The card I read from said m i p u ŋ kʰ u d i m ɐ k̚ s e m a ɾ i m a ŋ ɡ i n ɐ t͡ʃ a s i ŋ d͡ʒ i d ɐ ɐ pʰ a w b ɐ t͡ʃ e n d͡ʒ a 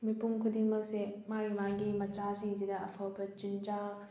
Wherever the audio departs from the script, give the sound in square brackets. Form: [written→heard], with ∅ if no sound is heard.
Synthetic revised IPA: m i p u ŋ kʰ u d i m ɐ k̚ s e m a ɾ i m a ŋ ɡ i [n→m] ɐ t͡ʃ a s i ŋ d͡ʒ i d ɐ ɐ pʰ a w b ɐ t͡ʃ [e→i] n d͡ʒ a